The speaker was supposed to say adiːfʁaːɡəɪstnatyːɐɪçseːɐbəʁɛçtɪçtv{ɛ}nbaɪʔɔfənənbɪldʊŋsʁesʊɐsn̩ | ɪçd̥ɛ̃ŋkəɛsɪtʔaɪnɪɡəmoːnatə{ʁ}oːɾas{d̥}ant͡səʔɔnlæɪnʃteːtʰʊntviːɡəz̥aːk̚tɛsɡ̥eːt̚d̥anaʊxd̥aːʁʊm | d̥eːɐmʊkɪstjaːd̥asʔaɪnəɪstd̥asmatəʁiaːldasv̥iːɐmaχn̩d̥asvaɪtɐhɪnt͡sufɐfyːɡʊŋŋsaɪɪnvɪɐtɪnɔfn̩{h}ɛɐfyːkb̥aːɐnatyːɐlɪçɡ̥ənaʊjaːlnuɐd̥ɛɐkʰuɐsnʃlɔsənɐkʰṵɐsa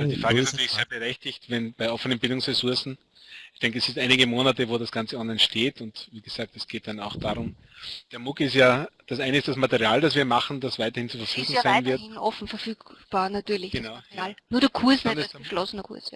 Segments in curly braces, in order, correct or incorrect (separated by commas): correct, incorrect, incorrect, incorrect